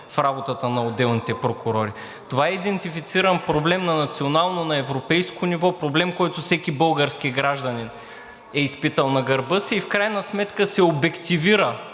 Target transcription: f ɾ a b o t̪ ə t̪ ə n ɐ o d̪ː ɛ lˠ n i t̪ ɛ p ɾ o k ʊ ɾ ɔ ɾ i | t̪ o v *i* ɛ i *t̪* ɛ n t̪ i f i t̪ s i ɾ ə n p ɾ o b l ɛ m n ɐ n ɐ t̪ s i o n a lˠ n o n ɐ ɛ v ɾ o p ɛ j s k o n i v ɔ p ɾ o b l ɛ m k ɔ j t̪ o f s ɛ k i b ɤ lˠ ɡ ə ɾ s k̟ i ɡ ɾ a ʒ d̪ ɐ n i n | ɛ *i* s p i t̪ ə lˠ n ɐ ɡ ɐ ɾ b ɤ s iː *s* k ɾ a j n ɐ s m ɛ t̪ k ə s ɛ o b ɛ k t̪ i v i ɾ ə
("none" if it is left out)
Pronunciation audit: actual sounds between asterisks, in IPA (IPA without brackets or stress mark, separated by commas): a, d̪, i, f